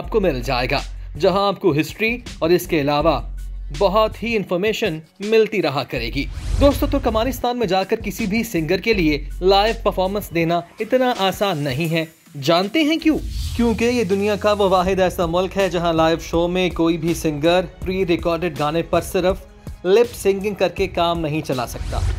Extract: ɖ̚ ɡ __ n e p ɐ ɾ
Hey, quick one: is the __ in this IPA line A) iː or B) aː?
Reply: B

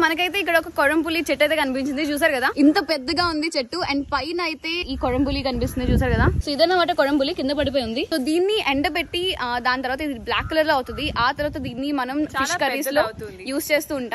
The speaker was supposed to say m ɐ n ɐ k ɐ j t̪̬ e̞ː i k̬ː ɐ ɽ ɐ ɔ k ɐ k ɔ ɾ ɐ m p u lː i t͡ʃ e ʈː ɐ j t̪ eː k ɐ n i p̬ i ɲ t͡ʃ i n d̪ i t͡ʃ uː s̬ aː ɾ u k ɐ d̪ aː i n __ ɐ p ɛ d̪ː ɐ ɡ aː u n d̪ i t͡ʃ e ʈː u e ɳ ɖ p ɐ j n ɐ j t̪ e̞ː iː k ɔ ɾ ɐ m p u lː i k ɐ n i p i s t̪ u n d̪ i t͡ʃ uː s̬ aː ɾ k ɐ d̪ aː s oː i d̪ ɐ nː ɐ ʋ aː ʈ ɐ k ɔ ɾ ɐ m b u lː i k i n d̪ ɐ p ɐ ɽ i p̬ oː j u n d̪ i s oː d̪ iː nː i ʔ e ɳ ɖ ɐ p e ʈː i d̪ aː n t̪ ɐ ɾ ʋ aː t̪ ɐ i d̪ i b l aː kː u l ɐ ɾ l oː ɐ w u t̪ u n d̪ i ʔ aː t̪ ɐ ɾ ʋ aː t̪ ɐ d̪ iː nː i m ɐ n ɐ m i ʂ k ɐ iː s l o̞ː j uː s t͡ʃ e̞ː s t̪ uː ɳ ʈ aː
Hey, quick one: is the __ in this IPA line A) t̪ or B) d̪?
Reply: A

